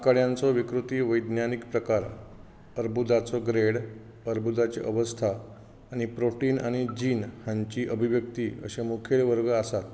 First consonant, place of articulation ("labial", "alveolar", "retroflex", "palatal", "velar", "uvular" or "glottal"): velar